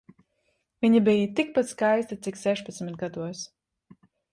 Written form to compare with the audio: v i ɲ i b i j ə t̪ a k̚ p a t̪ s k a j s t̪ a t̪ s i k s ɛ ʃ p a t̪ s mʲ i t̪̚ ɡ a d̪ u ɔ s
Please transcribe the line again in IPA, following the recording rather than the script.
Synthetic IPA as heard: v i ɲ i b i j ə t̪ i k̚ p a t̪ s k a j s t̪ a t̪ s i k s ɛ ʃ p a t̪ s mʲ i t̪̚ ɡ a d̪ u ɔ s